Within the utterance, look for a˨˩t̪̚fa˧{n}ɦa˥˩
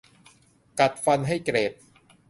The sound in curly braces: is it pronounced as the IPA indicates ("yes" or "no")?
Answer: yes